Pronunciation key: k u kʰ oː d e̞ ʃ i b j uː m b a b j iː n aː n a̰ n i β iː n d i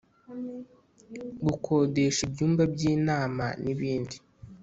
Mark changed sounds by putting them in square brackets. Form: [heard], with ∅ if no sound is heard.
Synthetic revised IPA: [ɡ] u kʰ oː d e̞ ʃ i b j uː m b a b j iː n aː [m] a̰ n i β iː n d i